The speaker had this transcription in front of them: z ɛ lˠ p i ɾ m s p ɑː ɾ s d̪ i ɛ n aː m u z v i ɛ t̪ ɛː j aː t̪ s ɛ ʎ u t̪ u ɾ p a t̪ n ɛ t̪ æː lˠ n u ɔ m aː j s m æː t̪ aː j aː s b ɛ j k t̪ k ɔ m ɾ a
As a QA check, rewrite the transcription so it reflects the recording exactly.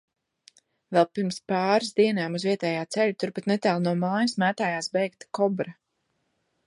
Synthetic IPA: v ɛ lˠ p i ɾ m s p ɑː ɾ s d̪ i ɛ n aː m u z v i ɛ t̪ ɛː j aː t̪ s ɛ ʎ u t̪ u ɾ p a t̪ n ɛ t̪ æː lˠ n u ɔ m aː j s m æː t̪ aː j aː s b ɛ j k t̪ k ɔ b ɾ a